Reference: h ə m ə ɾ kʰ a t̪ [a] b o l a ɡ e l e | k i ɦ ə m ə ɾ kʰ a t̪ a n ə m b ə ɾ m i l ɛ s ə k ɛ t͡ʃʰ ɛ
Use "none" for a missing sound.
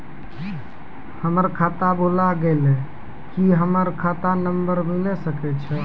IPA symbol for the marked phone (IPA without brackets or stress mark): a